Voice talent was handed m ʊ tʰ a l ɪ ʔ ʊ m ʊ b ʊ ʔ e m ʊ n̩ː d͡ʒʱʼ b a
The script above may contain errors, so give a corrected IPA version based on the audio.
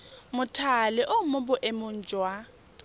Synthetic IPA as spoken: m ʊ tʰ a l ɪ ʔ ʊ m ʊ b ʊ ʔ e m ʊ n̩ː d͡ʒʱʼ w a